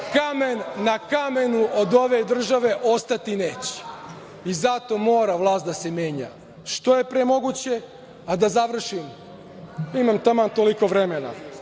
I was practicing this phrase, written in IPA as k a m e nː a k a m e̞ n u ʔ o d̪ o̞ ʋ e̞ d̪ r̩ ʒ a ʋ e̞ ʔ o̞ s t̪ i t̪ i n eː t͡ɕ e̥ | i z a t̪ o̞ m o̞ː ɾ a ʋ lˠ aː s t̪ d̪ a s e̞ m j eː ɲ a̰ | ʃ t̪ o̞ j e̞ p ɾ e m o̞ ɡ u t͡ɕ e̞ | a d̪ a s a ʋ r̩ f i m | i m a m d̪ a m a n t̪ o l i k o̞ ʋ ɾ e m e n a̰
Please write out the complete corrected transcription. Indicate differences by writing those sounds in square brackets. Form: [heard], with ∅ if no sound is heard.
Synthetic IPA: k a m e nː a k a m e̞ n u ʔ o d̪ o̞ ʋ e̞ d̪ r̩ ʒ a ʋ e̞ ʔ o̞ s t̪ [a] t̪ i n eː t͡ɕ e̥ | i z a t̪ o̞ m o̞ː ɾ a ʋ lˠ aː s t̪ d̪ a s e̞ m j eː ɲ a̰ | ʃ t̪ o̞ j e̞ p ɾ e m o̞ ɡ u t͡ɕ e̞ | a d̪ a [z] a ʋ r̩ [ʃ] i m | i m a m [t̪] a m a n t̪ o l i k o̞ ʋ ɾ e m e n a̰

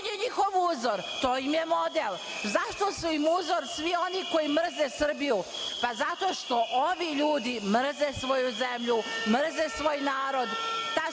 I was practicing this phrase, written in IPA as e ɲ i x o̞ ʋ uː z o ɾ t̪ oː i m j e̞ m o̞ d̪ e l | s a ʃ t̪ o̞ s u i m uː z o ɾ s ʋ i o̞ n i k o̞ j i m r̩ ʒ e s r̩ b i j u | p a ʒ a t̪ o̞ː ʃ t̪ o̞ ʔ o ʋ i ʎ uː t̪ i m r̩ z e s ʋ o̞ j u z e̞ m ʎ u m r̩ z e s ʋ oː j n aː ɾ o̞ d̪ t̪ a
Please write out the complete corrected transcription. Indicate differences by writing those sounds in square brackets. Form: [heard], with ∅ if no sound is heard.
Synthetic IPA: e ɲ i x o̞ ʋ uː z o ɾ t̪ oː i m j e̞ m o̞ d̪ e l | [z] a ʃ t̪ o̞ s u i m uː z o ɾ s ʋ i o̞ n i k o̞ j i m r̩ [z] e s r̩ b i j u | p a [z] a t̪ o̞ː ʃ t̪ o̞ ʔ o ʋ i ʎ uː [d̪] i m r̩ z e s ʋ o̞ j u z e̞ m ʎ u m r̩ z e s ʋ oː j n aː ɾ o̞ d̪ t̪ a

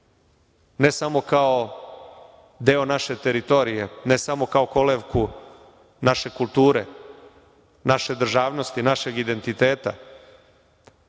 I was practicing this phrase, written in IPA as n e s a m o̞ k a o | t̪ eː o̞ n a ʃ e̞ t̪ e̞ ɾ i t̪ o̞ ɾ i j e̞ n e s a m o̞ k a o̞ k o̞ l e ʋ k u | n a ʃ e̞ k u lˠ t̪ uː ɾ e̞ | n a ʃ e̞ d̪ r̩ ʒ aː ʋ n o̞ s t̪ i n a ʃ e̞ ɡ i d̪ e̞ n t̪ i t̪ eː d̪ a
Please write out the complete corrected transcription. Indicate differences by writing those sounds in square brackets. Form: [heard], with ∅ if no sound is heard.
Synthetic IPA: n e s a m o̞ k a o | [d̪] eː o̞ n a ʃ e̞ t̪ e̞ ɾ i t̪ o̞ ɾ i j e̞ n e s a m o̞ k a o̞ k o̞ l e ʋ k u | n a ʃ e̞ k u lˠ t̪ uː ɾ e̞ | n a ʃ e̞ d̪ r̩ ʒ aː ʋ n o̞ s t̪ i n a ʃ e̞ ɡ i d̪ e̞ n t̪ i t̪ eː [t̪] a

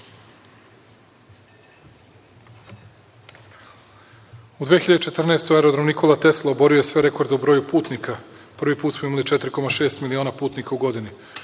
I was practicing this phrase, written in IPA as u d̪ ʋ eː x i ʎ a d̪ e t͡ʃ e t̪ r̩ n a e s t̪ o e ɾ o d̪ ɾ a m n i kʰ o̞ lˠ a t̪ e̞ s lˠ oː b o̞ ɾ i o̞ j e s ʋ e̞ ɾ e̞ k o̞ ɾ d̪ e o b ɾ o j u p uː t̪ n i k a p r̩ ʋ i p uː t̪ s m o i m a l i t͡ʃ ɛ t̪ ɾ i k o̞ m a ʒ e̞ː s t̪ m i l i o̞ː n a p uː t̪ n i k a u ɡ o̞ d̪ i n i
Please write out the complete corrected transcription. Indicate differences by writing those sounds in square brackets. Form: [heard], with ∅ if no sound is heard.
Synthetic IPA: u d̪ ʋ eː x i ʎ a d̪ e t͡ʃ e t̪ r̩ n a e s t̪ o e ɾ o d̪ ɾ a m n i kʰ o̞ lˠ a t̪ e̞ s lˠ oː b o̞ ɾ i o̞ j e s ʋ e̞ ɾ e̞ k o̞ ɾ d̪ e [u] b ɾ o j u p uː t̪ n i k a p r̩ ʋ i p uː t̪ s m o i m a l i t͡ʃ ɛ t̪ ɾ i k o̞ m a [ʃ] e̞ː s t̪ m i l i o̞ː n a p uː t̪ n i k a u ɡ o̞ d̪ i n i

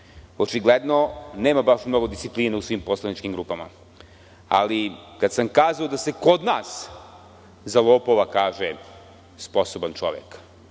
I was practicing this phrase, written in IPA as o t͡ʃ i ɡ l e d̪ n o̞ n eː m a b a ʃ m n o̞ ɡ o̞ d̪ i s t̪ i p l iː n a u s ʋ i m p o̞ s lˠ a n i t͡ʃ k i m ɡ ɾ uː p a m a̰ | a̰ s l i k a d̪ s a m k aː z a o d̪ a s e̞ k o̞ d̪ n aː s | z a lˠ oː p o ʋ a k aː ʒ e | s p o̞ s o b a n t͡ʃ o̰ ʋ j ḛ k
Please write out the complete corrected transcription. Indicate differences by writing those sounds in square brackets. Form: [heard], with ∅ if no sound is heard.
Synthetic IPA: o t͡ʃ i ɡ l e d̪ n o̞ n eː m a b a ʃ m n o̞ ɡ o̞ d̪ i s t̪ i p l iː n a u s ʋ i m p o̞ s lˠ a n i t͡ʃ k i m ɡ ɾ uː p a m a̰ | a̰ [∅] l i k a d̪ s a m k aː z a o d̪ a s e̞ k o̞ d̪ n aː s | z a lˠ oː p o ʋ a k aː ʒ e | s p o̞ s o b a n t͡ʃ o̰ ʋ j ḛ k

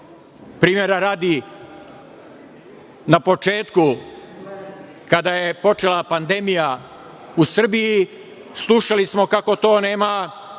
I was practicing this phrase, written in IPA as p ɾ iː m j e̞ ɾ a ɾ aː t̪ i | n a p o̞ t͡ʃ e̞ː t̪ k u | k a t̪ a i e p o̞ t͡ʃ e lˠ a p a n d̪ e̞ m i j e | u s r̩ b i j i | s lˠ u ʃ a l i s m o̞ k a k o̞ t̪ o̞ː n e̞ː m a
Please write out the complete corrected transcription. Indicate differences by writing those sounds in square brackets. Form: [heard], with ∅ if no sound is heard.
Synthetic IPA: p ɾ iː m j e̞ ɾ a ɾ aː [d̪] i | n a p o̞ t͡ʃ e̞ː t̪ k u | k a [d̪] a [j] e p o̞ t͡ʃ e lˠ a p a n d̪ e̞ m i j [a] | u s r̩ b i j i | s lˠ u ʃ a l i s m o̞ k a k o̞ t̪ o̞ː n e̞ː m a

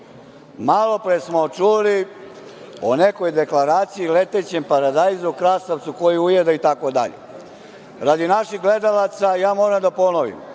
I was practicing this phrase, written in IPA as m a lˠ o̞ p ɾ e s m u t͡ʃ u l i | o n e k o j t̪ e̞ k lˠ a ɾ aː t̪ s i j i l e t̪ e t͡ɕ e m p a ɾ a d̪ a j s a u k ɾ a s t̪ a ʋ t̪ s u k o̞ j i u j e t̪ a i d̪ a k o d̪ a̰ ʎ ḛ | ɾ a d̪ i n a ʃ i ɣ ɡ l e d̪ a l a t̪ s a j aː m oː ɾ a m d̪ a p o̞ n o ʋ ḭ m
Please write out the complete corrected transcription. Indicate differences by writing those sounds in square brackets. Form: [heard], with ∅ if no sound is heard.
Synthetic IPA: m a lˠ o̞ p ɾ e s m [o] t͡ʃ u l i | o n e k o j [d̪] e̞ k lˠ a ɾ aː t̪ s i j i l e t̪ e t͡ɕ e m p a ɾ a d̪ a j [z] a u k ɾ a s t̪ a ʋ t̪ s u k o̞ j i u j e [d̪] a i [t̪] a k o d̪ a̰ ʎ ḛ | ɾ a d̪ i n a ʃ i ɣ ɡ l e d̪ a l a t̪ s a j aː m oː ɾ a m d̪ a p o̞ n o ʋ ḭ m

